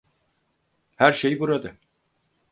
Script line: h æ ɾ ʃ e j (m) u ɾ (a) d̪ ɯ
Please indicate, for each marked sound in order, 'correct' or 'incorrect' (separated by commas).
incorrect, correct